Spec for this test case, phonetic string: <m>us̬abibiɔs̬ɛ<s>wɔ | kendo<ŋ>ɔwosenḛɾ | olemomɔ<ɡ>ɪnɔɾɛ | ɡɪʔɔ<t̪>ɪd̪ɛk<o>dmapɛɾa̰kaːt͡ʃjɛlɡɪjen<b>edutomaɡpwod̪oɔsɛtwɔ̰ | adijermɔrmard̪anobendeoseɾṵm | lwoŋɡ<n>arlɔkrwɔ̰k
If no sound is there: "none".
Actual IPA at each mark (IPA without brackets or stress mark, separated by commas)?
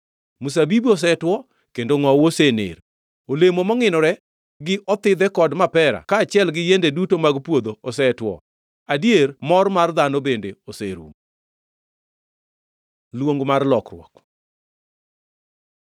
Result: m, t, ŋ, ŋ, t̪, ɔ, d, m